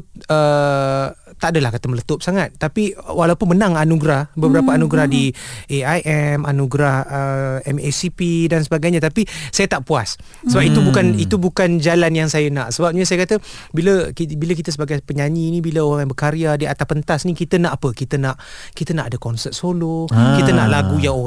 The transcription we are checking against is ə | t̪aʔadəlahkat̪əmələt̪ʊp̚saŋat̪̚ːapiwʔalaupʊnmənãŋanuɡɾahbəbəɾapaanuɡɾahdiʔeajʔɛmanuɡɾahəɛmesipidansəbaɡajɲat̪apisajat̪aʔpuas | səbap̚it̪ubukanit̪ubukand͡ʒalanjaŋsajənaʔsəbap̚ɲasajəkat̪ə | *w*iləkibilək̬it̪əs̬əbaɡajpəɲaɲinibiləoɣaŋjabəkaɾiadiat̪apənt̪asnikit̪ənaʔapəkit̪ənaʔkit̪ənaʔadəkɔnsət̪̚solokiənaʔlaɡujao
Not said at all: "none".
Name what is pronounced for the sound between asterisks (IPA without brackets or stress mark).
b